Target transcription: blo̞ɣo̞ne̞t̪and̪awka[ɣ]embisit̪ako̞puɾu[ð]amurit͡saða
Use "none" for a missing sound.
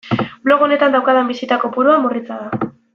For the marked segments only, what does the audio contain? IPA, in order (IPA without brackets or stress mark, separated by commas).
ð, none